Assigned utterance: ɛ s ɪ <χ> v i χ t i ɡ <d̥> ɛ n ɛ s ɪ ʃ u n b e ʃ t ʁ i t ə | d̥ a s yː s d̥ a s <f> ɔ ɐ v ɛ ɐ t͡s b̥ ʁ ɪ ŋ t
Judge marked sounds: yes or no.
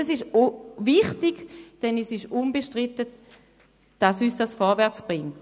no, yes, yes

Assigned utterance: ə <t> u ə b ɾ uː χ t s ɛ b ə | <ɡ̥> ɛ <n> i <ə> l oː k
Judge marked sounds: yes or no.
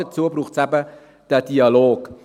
no, no, no, no

